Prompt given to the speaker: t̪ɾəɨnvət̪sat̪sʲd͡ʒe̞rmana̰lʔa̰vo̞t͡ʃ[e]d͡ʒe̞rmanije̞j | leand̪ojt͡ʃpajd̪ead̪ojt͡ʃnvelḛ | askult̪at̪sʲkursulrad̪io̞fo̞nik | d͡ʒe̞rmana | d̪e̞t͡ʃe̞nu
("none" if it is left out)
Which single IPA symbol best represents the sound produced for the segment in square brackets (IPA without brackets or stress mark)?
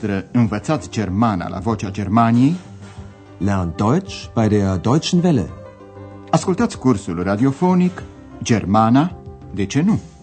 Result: a